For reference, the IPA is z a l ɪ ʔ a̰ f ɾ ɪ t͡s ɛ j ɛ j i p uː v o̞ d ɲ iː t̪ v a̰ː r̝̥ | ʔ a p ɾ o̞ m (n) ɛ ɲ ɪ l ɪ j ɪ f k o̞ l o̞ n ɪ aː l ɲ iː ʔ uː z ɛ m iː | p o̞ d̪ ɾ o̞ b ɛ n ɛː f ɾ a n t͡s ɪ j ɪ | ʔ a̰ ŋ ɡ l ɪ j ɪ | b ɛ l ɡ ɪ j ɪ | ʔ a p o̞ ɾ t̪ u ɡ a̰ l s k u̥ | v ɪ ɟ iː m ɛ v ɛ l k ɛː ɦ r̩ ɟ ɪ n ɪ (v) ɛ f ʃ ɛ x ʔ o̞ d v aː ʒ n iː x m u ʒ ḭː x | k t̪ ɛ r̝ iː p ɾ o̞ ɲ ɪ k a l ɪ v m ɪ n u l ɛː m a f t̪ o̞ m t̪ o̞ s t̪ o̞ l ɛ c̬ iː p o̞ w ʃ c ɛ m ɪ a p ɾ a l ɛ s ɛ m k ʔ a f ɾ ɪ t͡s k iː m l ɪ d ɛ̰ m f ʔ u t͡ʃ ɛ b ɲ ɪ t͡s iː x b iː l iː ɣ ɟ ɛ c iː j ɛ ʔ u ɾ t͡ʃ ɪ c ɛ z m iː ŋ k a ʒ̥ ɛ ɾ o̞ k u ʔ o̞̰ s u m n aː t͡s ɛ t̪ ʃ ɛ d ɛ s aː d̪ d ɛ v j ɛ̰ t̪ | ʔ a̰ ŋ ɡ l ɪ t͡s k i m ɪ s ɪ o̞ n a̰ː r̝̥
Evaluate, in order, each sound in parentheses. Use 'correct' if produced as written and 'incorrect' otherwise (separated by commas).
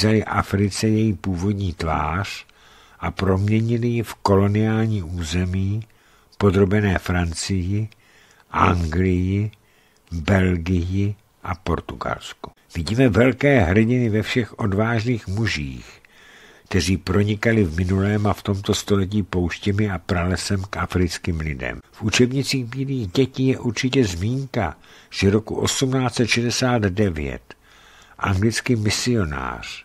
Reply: incorrect, correct